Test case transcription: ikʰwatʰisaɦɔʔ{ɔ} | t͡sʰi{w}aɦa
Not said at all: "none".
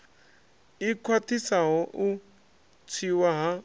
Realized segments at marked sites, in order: u, w

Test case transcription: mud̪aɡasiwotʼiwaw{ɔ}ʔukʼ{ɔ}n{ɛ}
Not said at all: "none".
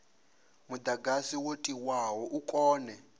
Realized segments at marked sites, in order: ɔ, ɔː, ɛ

